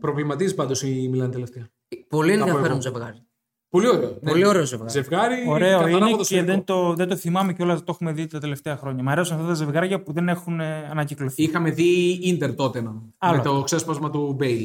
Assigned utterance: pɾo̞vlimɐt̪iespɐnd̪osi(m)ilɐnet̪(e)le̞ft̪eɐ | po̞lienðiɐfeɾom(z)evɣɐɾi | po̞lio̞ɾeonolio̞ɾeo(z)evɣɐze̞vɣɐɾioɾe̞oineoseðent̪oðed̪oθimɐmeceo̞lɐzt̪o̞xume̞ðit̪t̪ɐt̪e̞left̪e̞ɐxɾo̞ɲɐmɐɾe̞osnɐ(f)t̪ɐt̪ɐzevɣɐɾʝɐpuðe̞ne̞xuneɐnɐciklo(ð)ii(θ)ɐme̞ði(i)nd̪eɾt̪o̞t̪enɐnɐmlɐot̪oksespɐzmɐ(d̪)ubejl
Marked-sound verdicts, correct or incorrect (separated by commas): correct, correct, correct, correct, correct, incorrect, incorrect, correct, incorrect